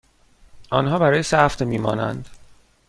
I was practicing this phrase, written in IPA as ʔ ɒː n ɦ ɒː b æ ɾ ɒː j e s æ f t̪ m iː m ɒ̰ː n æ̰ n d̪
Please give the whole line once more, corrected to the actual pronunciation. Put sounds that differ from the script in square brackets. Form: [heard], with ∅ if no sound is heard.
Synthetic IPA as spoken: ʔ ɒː n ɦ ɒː b æ ɾ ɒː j e s æ f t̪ m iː m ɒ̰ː n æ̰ n d̪